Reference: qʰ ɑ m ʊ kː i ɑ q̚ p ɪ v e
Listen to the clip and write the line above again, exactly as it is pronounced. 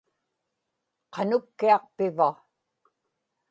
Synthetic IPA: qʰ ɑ n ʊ kː i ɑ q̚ p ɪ v a